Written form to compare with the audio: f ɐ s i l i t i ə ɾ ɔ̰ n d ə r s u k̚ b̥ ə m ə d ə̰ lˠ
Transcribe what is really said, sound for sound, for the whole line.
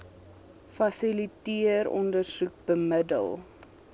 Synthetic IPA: f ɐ s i l i t i ə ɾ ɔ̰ n d ə r s u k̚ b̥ ə m ə d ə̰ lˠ